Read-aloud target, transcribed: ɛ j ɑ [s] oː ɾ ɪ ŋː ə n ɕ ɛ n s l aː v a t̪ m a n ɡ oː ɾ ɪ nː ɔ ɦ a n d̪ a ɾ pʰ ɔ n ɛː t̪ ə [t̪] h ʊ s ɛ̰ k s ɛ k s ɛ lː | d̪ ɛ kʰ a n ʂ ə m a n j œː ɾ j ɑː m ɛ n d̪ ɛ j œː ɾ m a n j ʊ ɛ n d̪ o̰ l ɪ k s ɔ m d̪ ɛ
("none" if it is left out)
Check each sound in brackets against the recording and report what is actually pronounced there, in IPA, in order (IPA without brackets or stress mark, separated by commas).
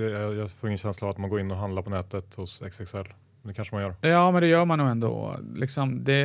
f, t̪